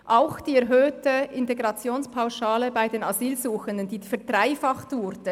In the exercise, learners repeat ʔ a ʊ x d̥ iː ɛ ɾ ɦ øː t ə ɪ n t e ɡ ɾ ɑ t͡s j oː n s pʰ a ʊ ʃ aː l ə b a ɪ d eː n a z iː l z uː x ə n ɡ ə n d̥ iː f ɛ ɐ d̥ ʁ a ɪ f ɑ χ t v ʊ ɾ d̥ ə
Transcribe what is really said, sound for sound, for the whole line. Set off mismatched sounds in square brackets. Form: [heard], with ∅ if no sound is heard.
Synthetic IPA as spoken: ʔ a ʊ x d̥ iː ɛ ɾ ɦ øː t ə ɪ n t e ɡ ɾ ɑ t͡s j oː n s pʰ a ʊ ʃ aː l ə b a ɪ d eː n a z iː l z uː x ə n [d] ə n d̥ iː f ɛ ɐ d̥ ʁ a ɪ f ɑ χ t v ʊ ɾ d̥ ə